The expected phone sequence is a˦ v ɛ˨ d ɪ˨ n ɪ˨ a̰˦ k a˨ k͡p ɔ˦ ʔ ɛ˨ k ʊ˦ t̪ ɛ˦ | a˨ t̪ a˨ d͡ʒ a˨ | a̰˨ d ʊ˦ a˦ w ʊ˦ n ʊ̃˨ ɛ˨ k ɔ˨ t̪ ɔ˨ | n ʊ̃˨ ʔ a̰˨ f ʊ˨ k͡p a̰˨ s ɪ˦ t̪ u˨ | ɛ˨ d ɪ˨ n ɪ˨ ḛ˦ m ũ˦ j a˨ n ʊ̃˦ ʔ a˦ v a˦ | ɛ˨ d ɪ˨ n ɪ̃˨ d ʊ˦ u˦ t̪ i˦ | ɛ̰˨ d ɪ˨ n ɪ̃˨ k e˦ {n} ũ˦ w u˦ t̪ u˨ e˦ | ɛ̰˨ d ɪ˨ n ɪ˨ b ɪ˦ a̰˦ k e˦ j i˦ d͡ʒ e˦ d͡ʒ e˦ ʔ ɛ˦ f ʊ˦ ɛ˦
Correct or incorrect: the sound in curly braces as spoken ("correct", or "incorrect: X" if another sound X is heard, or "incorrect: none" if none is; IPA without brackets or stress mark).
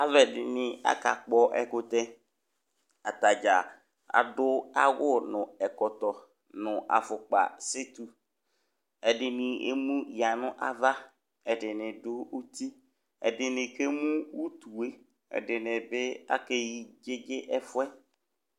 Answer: incorrect: m